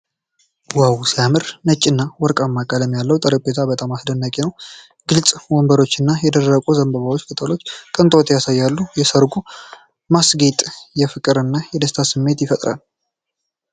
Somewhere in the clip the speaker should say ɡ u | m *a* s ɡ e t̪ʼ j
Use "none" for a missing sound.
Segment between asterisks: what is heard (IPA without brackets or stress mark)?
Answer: a